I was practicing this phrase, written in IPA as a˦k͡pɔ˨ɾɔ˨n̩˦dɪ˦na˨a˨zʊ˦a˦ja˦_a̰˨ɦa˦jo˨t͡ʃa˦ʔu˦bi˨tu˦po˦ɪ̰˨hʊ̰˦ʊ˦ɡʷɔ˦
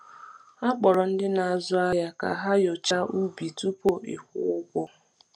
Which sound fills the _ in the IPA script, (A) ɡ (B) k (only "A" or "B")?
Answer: B